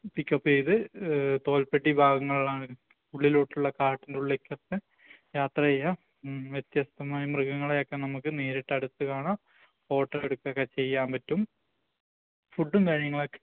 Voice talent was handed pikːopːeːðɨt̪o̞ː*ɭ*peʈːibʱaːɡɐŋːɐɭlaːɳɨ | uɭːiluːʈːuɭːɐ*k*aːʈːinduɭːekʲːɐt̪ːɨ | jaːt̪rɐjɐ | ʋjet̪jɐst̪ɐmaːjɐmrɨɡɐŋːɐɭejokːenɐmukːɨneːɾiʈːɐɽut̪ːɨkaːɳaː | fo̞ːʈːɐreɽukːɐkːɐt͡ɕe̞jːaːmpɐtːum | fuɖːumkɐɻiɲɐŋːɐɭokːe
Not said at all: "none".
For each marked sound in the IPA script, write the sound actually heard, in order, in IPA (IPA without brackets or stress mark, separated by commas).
l, k